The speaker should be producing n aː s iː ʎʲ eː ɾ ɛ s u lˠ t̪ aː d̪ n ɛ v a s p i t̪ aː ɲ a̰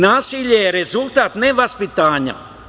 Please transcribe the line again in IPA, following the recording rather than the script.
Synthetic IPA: n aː s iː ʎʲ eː ɾ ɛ z u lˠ t̪ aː t̪ n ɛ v a s p i t̪ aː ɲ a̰